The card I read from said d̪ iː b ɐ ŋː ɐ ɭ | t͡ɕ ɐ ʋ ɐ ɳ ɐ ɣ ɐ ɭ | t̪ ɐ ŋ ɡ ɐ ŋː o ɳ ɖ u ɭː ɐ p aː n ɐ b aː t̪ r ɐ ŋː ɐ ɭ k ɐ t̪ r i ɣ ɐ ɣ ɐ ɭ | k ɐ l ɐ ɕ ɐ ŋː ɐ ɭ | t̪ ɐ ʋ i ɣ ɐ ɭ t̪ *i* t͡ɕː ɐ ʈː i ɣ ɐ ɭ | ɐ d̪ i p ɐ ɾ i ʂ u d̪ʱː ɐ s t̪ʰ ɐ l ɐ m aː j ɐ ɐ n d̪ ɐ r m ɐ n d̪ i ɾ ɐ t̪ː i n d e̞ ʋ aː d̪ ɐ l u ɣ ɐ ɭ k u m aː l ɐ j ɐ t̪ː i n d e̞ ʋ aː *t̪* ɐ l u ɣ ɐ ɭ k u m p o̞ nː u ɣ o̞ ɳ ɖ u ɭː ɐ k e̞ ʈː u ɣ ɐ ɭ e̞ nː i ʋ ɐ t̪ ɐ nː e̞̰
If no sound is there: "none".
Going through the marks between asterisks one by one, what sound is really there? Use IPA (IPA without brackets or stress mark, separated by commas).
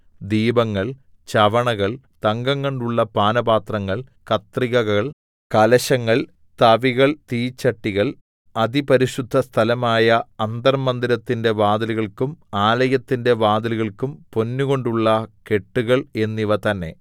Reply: iː, d̪